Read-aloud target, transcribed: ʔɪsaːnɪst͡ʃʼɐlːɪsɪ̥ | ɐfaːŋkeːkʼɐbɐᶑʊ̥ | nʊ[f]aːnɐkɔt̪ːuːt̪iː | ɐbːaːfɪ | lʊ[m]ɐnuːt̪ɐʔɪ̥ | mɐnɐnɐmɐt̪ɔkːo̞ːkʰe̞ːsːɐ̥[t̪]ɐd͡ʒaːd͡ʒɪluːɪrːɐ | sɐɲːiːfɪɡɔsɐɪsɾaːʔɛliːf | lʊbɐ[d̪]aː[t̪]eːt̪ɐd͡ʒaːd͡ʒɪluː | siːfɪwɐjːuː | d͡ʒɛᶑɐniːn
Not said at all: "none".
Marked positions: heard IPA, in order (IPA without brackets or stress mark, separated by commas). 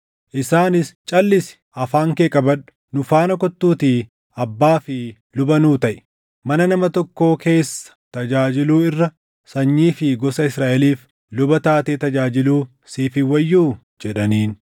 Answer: f, b, t̪, t̪, t̪